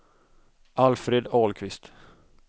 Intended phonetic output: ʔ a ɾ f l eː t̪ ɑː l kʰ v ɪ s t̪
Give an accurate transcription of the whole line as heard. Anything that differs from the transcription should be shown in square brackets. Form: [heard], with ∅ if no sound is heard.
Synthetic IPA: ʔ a [l] f [ɾ] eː [d̪] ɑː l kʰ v ɪ s t̪